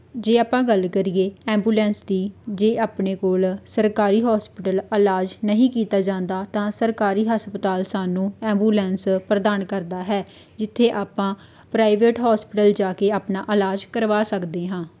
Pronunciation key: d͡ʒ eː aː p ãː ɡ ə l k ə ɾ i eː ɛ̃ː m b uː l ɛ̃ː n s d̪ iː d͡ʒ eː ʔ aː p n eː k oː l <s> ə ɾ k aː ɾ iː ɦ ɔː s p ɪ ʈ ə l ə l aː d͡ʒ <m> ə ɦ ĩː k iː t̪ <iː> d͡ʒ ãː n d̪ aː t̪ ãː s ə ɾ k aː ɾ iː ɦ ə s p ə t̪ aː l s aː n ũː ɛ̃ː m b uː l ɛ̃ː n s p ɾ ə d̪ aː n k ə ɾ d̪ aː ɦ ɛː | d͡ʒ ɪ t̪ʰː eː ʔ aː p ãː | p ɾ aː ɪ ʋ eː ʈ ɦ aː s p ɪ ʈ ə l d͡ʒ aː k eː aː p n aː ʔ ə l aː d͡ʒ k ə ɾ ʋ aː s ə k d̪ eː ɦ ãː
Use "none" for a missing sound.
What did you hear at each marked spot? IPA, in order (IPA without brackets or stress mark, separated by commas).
s, n, aː